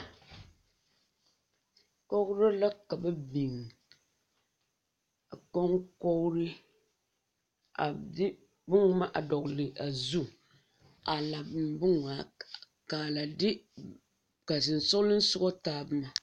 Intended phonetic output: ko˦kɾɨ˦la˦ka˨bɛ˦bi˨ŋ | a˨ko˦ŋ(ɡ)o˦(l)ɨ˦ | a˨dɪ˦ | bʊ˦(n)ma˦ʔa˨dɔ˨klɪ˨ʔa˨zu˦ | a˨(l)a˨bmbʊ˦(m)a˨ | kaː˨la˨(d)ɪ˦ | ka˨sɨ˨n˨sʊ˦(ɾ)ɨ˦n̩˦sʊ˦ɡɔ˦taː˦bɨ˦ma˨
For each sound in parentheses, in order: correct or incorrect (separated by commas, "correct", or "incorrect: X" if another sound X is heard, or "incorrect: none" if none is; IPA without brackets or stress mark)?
incorrect: k, incorrect: ɾ, incorrect: ŋ, correct, incorrect: ŋ, correct, incorrect: l